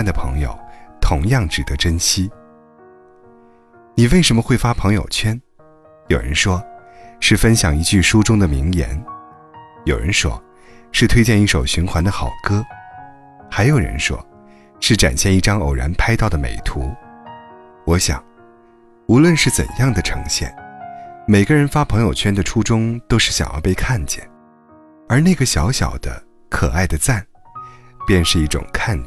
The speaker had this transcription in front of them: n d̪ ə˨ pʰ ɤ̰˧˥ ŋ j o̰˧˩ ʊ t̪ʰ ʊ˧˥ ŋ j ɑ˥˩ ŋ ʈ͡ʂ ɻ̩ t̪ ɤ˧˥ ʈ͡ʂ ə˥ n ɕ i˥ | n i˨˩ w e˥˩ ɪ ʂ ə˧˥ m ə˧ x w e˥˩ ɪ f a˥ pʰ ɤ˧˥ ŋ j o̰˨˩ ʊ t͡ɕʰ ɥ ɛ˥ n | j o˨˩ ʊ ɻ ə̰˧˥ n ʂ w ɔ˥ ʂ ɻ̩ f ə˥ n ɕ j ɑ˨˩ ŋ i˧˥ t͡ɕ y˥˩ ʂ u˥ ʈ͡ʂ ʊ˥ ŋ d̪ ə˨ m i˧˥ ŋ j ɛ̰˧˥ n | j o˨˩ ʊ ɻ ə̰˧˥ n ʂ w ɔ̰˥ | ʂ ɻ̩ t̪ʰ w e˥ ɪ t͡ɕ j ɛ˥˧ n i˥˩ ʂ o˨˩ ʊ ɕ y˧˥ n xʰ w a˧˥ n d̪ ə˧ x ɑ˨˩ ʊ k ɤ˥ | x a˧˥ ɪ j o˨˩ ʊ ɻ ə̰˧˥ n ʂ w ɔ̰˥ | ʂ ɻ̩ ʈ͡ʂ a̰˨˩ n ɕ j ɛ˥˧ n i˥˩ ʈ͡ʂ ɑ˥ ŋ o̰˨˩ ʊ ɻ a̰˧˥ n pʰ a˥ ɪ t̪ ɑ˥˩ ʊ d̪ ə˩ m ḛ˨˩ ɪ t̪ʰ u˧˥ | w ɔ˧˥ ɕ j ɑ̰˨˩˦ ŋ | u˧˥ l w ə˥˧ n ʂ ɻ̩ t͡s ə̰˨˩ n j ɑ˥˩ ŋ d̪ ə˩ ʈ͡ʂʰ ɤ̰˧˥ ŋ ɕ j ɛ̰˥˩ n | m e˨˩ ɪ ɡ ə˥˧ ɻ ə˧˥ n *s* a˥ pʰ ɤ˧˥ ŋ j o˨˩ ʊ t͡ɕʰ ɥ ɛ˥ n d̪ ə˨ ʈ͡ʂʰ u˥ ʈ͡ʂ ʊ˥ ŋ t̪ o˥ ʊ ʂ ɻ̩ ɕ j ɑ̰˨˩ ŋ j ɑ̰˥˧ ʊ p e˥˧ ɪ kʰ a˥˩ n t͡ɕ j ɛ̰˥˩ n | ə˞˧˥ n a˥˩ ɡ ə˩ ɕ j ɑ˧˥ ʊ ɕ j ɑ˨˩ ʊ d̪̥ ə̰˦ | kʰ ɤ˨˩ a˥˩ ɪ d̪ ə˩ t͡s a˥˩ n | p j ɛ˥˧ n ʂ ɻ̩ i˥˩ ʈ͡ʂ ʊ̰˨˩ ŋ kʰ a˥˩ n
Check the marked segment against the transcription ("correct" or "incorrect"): incorrect